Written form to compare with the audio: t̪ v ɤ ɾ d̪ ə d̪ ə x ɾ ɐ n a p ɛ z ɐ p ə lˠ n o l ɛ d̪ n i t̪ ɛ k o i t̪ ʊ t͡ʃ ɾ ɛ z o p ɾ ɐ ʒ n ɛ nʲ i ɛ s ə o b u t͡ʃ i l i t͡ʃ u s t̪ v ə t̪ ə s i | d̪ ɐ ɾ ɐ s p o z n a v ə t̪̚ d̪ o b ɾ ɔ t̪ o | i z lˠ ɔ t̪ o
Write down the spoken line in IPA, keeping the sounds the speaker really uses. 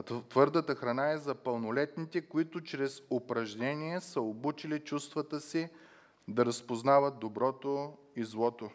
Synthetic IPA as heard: t̪ v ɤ ɾ d̪ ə t̪ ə x ɾ ɐ n a ɛ z ɐ p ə lˠ n o l ɛ t̪ n i t̪ ɛ k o i t̪ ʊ t͡ʃ ɾ ɛ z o p ɾ ɐ ʒ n ɛ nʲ i ɛ s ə o b u t͡ʃ i l i t͡ʃ u s t̪ v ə t̪ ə s i | d̪ ɐ ɾ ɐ s p o z n a v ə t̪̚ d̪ o b ɾ ɔ t̪ o | i z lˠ ɔ t̪ o